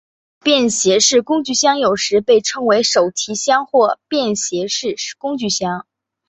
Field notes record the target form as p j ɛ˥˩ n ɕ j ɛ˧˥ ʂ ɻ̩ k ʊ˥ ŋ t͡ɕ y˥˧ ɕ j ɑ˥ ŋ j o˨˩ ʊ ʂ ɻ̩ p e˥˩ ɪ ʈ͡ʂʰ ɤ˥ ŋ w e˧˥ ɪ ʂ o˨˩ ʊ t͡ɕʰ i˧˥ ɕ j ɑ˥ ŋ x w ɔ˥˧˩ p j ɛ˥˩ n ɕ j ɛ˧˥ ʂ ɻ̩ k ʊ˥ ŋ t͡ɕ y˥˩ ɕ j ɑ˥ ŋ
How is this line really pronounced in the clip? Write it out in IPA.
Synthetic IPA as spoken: p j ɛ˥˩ n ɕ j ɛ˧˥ ʂ ɻ̩ k ʊ˥ ŋ t͡ɕ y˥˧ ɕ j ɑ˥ ŋ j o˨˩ ʊ ʂ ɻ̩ p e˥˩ ɪ ʈ͡ʂʰ ɤ˥ ŋ w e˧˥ ɪ ʂ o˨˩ ʊ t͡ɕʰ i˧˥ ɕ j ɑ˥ ŋ x w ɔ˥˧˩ p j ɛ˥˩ n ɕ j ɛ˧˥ ʂ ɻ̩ k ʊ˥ ŋ t͡ɕ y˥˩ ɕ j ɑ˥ ŋ

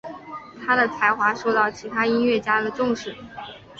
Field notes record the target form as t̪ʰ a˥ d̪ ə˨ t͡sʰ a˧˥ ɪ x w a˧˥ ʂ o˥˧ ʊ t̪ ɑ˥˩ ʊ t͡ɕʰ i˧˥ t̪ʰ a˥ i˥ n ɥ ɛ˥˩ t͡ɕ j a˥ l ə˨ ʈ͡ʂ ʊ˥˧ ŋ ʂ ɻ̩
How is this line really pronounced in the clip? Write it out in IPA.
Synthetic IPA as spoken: t̪ʰ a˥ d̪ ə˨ t͡sʰ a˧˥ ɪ x w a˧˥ ʂ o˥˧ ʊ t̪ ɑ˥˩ ʊ t͡ɕʰ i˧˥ t̪ʰ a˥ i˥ n ɥ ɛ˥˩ t͡ɕ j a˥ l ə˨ ʈ͡ʂ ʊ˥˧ ŋ ʂ ɻ̩

